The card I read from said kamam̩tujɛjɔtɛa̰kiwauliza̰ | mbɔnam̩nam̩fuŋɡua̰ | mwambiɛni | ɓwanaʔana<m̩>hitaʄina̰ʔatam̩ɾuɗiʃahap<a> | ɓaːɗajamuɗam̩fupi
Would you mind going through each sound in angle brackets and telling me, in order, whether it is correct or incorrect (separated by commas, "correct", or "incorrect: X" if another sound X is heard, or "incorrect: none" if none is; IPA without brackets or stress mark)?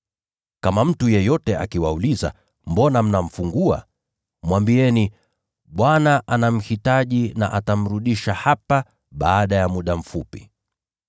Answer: correct, correct